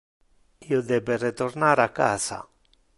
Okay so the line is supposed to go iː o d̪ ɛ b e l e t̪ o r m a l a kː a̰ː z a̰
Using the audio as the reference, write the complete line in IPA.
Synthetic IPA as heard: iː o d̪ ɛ b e r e t̪ o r n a ɾ a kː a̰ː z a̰